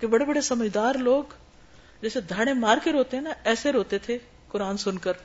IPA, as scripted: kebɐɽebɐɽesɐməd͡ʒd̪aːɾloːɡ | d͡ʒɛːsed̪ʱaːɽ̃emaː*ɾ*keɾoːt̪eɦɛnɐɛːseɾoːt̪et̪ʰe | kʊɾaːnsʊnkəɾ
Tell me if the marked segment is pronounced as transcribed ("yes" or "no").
yes